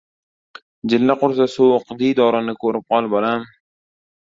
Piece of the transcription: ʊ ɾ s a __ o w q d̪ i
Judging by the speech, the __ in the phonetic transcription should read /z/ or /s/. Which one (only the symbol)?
s